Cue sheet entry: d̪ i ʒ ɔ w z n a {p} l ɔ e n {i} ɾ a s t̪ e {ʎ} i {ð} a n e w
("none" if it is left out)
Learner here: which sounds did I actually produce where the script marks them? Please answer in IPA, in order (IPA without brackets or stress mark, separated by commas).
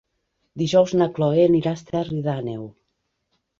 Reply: k, i, r, ð